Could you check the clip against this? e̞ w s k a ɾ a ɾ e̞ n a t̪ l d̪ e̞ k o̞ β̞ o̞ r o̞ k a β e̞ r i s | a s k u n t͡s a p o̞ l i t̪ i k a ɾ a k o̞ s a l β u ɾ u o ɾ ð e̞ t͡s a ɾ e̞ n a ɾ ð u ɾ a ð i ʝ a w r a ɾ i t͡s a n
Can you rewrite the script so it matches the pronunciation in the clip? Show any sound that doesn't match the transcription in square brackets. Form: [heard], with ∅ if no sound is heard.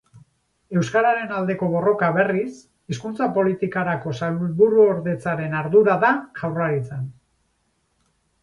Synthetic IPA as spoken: e̞ w s k a ɾ a ɾ e̞ n a [∅] l d̪ e̞ k o̞ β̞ o̞ r o̞ k a β e̞ r i s | [i] s k u n t͡s a p o̞ l i t̪ i k a ɾ a k o̞ s a l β u ɾ u o ɾ ð e̞ t͡s a ɾ e̞ n a ɾ ð u ɾ a ð [a] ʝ a w r a ɾ i t͡s a n

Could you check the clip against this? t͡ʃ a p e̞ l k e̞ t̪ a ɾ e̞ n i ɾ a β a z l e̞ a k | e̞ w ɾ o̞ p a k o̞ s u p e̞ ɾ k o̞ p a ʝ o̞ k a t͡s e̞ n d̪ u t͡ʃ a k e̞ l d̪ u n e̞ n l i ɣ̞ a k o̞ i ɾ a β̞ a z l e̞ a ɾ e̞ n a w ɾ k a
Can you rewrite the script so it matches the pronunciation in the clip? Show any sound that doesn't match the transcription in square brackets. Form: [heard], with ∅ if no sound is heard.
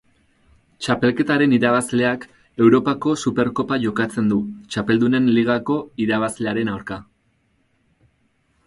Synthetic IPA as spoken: t͡ʃ a p e̞ l k e̞ t̪ a ɾ e̞ n i ɾ a β a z l e̞ a k | e̞ w ɾ o̞ p a k o̞ s u p e̞ ɾ k o̞ p a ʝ o̞ k a t͡s e̞ n d̪ u t͡ʃ a [p] e̞ l d̪ u n e̞ n l i ɣ̞ a k o̞ i ɾ a β̞ a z l e̞ a ɾ e̞ n a w ɾ k a

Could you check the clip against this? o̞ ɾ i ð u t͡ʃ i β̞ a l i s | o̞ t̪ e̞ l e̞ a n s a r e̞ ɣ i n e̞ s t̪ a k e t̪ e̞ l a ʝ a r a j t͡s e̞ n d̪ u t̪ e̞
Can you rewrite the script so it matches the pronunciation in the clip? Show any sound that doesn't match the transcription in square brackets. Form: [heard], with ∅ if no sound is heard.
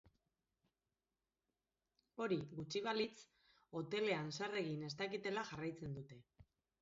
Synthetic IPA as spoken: o̞ ɾ i [ɣ] u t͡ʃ i β̞ a l i [t͡s] | o̞ t̪ e̞ l e̞ a n s a r e̞ ɣ i n e̞ s t̪ a k [i] t̪ e̞ l a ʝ a r a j t͡s e̞ n d̪ u t̪ e̞

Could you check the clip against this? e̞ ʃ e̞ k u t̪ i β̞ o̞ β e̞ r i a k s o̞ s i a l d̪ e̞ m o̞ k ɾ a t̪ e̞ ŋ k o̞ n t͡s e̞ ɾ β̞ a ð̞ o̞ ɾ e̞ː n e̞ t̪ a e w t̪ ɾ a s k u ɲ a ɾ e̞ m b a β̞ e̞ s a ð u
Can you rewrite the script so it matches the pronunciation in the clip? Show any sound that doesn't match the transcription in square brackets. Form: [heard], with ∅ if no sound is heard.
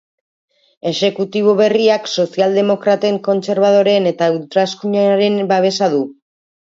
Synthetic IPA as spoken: e̞ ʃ e̞ k u t̪ i β̞ o̞ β e̞ r i a k s o̞ s i a l d̪ e̞ m o̞ k ɾ a t̪ e̞ ŋ k o̞ n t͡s e̞ ɾ β̞ a ð̞ o̞ ɾ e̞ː n e̞ t̪ a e w t̪ ɾ a s k u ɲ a ɾ e̞ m b a β̞ e̞ s a ð u

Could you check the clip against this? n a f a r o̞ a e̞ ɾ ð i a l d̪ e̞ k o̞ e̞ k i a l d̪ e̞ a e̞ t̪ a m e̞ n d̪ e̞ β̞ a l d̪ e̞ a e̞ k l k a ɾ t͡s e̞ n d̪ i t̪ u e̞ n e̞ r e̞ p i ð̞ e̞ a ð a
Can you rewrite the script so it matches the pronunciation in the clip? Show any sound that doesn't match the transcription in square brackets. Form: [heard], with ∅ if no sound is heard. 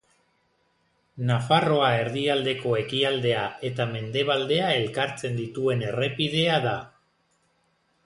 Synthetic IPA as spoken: n a f a r o̞ a e̞ ɾ ð i a l d̪ e̞ k o̞ e̞ k i a l d̪ e̞ a e̞ t̪ a m e̞ n d̪ e̞ β̞ a l d̪ e̞ a e̞ [∅] l k a ɾ t͡s e̞ n d̪ i t̪ u e̞ n e̞ r e̞ p i ð̞ e̞ a ð a

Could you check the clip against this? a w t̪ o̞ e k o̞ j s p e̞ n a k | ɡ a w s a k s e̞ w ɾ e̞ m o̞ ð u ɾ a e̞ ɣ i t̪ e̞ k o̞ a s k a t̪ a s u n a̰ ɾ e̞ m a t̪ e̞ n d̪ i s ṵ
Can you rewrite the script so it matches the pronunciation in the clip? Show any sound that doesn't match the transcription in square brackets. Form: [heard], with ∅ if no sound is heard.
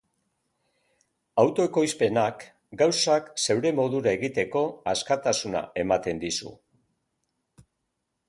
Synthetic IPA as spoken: a w t̪ o̞ e k o̞ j s p e̞ n a k | ɡ a w s a k s e̞ w ɾ e̞ m o̞ ð u ɾ a e̞ ɣ i t̪ e̞ k o̞ a s k a t̪ a s u n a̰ [∅] e̞ m a t̪ e̞ n d̪ i s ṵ

